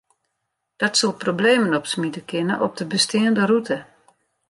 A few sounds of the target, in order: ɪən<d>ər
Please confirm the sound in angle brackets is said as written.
yes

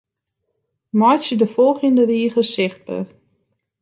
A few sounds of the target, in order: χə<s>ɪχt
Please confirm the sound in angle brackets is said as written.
yes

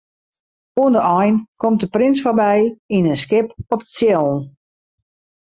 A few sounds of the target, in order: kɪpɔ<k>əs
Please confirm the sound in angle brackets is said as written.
no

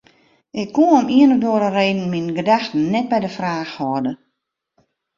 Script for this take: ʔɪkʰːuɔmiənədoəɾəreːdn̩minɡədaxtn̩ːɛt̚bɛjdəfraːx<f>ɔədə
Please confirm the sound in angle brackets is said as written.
no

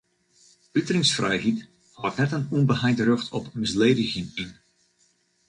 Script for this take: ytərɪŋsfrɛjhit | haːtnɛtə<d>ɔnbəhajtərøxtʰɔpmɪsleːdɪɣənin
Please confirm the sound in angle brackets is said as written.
no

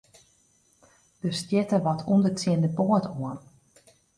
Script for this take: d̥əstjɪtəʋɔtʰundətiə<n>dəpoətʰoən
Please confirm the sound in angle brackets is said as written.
yes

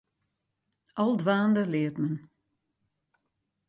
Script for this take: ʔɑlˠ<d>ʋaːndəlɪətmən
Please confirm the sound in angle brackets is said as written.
yes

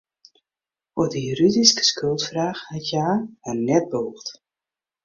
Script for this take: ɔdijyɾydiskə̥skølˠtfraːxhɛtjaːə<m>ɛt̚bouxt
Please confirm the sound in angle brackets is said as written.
no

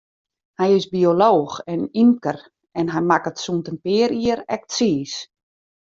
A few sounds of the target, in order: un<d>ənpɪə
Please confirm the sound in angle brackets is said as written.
no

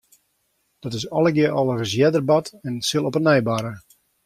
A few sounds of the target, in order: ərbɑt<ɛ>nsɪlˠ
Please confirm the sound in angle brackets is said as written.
yes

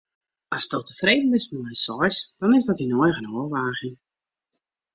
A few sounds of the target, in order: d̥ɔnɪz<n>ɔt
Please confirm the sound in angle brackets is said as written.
no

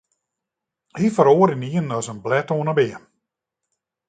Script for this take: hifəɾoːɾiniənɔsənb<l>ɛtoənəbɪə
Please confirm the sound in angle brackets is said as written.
yes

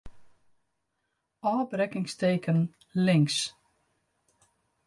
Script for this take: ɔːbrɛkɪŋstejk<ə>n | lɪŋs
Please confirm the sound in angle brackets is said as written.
yes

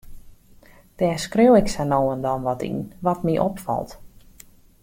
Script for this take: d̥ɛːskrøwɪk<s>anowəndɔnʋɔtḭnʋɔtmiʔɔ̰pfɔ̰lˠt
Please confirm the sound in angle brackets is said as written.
yes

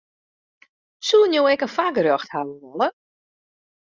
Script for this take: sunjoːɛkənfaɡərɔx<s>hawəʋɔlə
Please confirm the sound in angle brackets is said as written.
no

